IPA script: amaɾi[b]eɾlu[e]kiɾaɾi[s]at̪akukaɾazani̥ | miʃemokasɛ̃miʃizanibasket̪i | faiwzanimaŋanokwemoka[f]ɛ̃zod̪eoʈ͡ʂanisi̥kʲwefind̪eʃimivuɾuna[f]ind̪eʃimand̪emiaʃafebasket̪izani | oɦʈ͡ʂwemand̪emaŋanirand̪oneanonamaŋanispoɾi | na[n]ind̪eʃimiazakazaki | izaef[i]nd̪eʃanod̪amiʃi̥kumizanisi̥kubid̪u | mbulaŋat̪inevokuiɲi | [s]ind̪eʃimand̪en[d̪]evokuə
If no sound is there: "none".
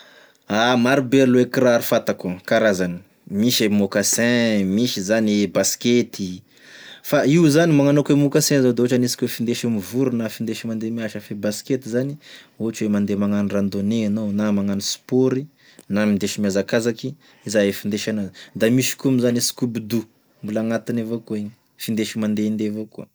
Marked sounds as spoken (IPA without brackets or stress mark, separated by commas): b, e, f, s, f, m, i, f, d̪